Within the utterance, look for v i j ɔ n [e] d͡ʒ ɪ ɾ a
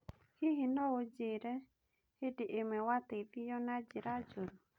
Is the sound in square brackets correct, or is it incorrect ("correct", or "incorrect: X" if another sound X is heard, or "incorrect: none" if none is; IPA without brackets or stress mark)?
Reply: incorrect: a